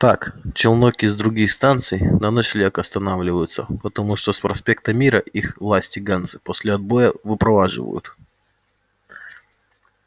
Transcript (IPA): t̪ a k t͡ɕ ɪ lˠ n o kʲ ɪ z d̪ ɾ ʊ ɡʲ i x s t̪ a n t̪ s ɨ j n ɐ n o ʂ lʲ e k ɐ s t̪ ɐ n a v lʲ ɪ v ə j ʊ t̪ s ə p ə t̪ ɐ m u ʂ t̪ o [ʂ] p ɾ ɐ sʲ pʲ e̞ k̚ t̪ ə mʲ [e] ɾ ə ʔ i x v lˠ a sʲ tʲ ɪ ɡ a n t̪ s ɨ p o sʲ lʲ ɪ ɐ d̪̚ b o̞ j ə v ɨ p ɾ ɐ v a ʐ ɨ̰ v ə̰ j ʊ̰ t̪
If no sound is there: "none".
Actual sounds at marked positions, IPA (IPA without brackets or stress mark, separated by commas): s, i